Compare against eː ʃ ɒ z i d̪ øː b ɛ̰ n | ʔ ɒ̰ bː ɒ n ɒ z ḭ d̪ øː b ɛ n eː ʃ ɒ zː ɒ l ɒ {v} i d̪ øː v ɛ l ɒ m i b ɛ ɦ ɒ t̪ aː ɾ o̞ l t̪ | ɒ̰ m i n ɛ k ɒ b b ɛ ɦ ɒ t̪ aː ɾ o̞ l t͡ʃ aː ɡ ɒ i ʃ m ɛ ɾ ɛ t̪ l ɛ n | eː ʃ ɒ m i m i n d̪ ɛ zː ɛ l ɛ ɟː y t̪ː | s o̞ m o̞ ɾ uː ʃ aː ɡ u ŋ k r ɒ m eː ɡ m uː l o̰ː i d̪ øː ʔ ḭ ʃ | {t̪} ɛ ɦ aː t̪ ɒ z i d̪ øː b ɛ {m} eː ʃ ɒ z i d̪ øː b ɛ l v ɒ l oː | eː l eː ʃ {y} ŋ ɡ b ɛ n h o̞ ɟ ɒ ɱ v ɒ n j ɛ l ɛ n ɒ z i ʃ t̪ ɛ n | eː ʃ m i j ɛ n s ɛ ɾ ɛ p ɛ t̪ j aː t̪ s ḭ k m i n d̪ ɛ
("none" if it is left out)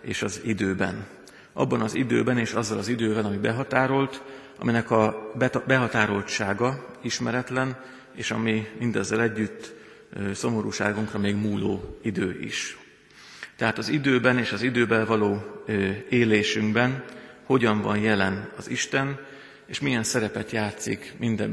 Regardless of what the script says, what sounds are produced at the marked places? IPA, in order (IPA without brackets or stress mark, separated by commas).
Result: z, t̪, n, y